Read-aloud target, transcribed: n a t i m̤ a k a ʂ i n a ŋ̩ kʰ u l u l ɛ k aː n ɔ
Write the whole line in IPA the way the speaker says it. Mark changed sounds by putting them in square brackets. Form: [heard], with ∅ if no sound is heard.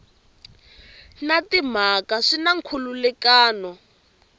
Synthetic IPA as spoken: n a t i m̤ a k a ʂ i n a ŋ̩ kʰ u l u l ɛ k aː n ɔ